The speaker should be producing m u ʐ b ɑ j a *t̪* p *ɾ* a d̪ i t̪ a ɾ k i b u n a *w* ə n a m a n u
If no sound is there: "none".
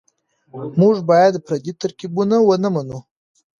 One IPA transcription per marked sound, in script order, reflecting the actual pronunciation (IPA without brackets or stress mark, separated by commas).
d̪, ɾ, w